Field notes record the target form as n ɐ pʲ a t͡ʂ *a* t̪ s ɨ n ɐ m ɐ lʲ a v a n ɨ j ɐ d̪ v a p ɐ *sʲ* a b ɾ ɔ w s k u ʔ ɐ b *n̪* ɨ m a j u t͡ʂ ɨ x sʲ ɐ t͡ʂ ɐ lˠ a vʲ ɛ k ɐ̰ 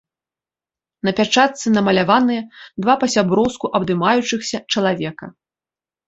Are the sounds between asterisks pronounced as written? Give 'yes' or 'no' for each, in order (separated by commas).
yes, yes, no